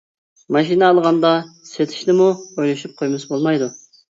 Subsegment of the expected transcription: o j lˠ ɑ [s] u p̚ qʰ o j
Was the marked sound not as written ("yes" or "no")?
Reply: yes